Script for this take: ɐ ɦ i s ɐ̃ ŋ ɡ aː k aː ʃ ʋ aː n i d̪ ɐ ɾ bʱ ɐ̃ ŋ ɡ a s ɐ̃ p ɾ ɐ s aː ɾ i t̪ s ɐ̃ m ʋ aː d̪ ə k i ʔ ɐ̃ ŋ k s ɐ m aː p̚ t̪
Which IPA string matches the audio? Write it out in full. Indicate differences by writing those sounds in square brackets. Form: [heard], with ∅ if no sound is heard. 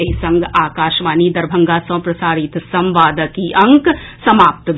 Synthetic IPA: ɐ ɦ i s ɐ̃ ŋ ɡ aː k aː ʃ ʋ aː n i d̪ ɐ ɾ bʱ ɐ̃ ŋ ɡ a s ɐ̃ p ɾ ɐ s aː ɾ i t̪ s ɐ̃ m ʋ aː d̪ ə k i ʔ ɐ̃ ŋ k s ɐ m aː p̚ t̪